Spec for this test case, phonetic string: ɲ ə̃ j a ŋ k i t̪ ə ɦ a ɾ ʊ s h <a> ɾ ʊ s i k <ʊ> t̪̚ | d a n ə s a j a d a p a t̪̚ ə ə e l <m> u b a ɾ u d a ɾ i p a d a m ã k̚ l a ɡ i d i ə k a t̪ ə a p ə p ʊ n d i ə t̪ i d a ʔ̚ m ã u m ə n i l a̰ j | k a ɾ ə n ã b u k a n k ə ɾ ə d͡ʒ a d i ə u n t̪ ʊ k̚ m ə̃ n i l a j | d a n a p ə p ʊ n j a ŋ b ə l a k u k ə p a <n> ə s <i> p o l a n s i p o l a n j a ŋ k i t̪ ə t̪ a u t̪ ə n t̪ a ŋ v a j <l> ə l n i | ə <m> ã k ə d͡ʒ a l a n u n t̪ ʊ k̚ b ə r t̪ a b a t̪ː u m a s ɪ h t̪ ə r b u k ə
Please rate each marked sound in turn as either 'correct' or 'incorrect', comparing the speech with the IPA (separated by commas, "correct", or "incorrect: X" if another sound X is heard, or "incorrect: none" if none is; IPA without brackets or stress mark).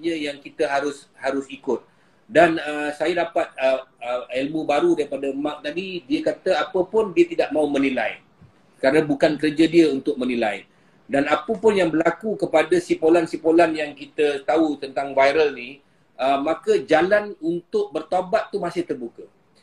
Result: correct, correct, correct, incorrect: d, correct, incorrect: ɾ, correct